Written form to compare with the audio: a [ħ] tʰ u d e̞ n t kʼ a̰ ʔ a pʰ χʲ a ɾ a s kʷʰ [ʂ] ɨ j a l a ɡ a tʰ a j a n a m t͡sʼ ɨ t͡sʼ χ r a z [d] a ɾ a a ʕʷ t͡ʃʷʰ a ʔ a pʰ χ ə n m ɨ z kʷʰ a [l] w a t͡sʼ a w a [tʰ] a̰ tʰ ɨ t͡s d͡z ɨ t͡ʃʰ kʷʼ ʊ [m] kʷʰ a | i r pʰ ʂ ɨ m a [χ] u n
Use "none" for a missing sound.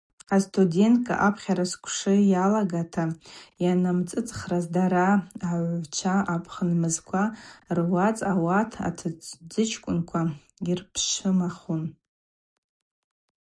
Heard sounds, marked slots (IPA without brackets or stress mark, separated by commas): s, ʂ, d, r, tʰ, n, χ